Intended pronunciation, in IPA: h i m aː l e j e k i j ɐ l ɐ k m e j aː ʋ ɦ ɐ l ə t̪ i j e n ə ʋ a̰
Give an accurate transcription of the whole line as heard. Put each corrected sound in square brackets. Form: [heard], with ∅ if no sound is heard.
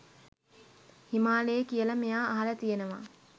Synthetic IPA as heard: h i m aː l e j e k i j [ə] l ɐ [∅] m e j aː [∅] ɦ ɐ l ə t̪ i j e n ə ʋ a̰